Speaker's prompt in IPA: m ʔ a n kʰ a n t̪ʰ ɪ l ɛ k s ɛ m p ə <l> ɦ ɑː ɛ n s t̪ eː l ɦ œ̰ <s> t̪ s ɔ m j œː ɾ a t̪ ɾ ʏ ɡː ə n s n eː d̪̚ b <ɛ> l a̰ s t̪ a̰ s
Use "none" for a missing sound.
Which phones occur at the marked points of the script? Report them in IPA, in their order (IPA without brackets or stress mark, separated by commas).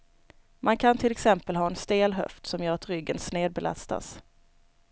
l, f, ɛ